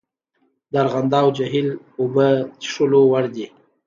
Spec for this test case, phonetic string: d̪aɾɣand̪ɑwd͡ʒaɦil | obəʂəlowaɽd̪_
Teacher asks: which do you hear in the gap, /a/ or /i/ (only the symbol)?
i